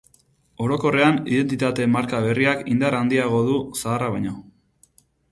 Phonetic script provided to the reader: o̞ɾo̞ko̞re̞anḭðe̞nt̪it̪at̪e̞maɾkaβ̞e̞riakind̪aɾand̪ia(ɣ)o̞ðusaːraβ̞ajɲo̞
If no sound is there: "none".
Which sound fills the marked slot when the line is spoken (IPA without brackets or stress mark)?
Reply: ɣ